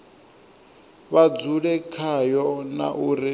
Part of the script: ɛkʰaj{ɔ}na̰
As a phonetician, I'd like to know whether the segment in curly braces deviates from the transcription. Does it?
no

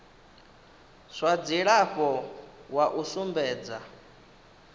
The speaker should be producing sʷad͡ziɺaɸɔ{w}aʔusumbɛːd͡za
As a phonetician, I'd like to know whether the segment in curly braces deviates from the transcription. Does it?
no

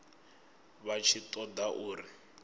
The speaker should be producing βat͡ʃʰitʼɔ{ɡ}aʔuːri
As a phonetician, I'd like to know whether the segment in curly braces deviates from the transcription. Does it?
yes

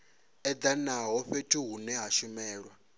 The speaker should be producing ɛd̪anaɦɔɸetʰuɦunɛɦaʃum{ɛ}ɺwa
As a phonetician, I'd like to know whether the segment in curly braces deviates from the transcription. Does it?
yes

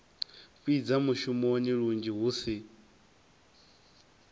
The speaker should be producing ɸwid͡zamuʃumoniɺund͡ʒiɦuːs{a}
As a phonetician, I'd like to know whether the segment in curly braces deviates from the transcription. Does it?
yes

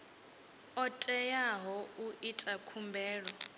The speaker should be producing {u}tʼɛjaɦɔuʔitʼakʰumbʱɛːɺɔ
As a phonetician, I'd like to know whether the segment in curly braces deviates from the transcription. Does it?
yes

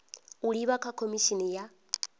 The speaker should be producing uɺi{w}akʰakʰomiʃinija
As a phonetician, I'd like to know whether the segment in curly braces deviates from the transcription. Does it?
yes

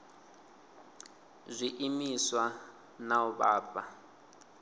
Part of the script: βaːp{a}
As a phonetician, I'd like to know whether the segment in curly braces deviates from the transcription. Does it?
no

